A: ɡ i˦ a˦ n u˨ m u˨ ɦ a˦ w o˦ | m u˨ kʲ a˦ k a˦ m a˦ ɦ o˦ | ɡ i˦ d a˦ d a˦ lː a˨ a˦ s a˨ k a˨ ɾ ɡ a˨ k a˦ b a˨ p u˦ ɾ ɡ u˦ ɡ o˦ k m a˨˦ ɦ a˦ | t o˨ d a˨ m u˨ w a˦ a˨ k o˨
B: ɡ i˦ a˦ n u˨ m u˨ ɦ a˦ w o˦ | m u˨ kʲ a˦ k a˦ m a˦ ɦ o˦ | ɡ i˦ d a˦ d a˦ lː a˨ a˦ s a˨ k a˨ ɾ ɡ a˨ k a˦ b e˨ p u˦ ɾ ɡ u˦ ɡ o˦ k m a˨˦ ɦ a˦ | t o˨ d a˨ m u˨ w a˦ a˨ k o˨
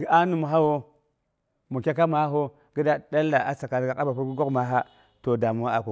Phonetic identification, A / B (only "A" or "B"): A